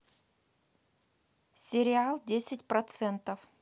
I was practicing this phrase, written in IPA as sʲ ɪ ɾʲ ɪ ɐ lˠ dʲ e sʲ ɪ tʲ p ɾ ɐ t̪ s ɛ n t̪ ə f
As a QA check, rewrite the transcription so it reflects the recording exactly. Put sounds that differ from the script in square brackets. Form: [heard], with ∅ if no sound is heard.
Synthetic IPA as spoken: sʲ ɪ ɾʲ ɪ [a] lˠ dʲ e sʲ ɪ tʲ p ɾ ɐ t̪ s ɛ n t̪ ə f